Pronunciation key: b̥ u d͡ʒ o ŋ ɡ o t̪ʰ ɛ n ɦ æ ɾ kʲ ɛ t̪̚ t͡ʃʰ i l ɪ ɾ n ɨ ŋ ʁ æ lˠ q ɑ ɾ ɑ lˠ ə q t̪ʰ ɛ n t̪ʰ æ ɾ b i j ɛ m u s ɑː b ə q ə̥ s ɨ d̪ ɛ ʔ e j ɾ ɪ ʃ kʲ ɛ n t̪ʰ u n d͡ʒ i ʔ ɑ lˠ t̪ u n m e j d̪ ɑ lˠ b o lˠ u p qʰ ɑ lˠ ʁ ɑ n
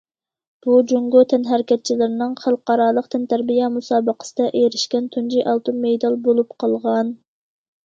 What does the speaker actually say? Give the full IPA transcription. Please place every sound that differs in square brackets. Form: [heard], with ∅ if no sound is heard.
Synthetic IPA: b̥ u d͡ʒ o ŋ ɡ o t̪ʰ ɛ n ɦ æ ɾ kʲ ɛ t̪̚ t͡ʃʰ i l ɪ ɾ n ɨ ŋ [χ] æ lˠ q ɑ ɾ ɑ lˠ ə q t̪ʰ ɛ n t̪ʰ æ ɾ b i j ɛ m u s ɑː b ə q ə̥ s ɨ d̪ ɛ ʔ e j ɾ ɪ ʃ kʲ ɛ n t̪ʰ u n d͡ʒ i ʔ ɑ lˠ t̪ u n m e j d̪ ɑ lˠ b o lˠ u p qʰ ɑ lˠ ʁ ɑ n